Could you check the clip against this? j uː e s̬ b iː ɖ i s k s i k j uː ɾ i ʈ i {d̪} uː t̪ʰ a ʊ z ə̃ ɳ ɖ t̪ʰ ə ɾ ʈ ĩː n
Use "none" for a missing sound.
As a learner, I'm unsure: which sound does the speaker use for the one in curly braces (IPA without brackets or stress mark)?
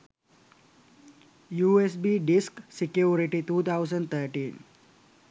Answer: t̪